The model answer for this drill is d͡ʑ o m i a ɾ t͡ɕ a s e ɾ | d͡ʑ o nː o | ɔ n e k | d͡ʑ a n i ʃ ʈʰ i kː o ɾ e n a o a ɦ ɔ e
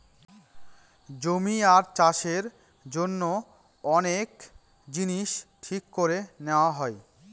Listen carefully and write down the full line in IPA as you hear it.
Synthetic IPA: d͡ʑ o m i a ɾ t͡ɕ a ʃ e ɾ | d͡ʑ o nː o | ɔ n e k | d͡ʑ i n i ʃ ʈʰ i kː o ɾ e n e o a ɦ ɔ e